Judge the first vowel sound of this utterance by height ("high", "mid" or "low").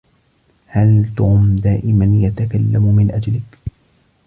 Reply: low